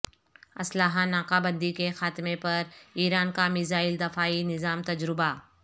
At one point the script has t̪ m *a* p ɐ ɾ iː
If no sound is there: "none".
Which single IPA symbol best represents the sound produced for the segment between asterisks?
e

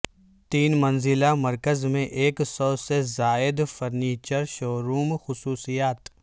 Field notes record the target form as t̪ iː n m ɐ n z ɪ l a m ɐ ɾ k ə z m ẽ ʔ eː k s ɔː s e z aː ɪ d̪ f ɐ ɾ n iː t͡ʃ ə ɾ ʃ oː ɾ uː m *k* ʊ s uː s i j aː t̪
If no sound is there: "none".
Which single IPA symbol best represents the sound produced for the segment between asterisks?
x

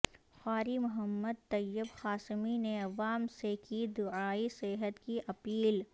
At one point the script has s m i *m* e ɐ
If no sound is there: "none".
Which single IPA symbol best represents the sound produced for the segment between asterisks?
n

